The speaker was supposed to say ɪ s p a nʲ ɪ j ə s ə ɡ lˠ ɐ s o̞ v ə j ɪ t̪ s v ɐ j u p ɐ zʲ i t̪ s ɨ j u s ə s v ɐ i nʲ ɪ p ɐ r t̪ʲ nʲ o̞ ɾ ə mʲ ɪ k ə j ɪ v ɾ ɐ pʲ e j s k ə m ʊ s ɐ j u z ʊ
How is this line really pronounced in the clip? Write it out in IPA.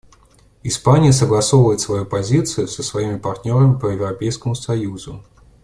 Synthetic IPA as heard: ɪ s p a nʲ ɪ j ə s ə ɡ lˠ ɐ s o̞ v ə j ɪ t̪ s v ɐ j u p ɐ zʲ i t̪ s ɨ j ʊ s ə s v ɐ i mʲ ɪ p ɐ r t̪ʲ nʲ o̞ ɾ ə mʲ ɪ p ə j ɪ v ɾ ɐ pʲ e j s k ə m ʊ s ɐ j u z ʊ